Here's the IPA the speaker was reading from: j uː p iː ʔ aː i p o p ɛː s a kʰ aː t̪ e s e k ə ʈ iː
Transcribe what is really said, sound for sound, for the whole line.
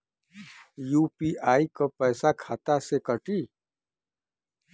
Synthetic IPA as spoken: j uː p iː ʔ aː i k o p ɛː s a kʰ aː t̪ a s e k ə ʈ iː